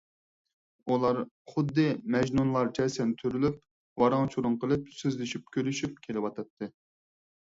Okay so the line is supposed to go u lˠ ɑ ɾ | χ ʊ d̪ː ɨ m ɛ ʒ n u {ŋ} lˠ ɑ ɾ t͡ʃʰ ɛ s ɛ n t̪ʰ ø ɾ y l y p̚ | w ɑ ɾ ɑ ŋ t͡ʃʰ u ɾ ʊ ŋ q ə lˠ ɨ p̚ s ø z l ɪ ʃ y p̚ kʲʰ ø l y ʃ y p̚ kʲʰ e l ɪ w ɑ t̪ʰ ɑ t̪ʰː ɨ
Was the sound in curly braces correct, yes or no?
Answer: no